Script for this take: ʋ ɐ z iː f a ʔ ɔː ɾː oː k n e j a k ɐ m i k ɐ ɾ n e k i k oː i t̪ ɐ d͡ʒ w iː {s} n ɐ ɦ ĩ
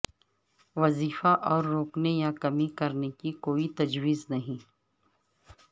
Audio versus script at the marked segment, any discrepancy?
yes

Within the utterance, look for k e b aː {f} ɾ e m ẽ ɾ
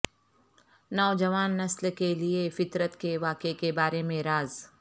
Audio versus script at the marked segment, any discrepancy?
yes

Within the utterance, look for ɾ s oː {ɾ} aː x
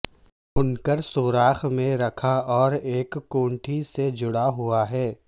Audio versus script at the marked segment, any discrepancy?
no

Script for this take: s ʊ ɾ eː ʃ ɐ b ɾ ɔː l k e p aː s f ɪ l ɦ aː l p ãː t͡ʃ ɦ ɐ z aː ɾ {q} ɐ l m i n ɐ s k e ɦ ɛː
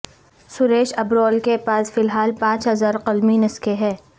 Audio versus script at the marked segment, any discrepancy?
no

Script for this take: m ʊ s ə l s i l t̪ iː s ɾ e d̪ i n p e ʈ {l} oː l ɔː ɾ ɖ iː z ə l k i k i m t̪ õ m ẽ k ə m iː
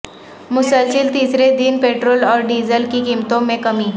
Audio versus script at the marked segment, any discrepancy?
yes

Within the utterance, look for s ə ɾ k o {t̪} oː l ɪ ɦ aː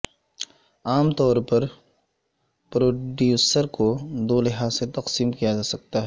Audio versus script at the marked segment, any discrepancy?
yes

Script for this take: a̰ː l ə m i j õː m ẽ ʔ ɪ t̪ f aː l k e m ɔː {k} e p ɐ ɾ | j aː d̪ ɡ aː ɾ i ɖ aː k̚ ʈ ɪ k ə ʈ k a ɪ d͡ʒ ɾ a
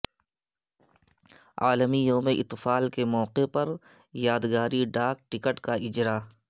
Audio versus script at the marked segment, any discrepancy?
yes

